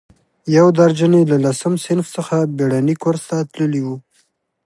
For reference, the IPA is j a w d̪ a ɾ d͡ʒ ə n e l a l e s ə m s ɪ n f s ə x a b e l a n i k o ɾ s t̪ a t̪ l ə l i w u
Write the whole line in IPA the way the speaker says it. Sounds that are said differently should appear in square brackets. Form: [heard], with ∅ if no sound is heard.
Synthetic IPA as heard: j a w d̪ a ɾ d͡ʒ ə n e l a l [a] s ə m s ɪ n f s ə x a b e [ɽ] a n i k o ɾ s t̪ a t̪ l ə l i w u